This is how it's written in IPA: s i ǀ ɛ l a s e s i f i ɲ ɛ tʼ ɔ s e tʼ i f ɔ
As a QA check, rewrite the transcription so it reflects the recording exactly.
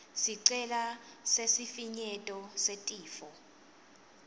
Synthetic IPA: s i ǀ ɛ l a s e s i f i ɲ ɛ tʼ ɔ s e tʼ iː f ɔ